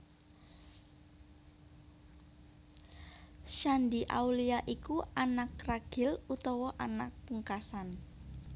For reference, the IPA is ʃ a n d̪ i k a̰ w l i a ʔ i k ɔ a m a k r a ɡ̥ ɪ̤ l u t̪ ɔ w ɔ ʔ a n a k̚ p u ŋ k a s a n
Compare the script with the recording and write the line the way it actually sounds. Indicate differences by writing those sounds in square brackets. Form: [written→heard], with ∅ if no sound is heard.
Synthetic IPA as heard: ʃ a n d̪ i [k→ʔ] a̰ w l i a ʔ i k [ɔ→u] a [m→n] a k r a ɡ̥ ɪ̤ l u t̪ ɔ w ɔ ʔ a n a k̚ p u ŋ k a s a n